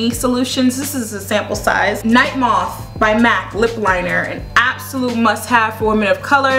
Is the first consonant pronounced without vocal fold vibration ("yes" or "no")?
yes